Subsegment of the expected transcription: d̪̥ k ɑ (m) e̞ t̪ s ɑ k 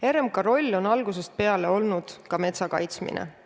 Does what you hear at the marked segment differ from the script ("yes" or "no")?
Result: no